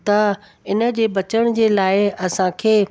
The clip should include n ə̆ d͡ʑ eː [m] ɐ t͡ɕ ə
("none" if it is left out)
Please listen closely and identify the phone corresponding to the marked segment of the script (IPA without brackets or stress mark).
b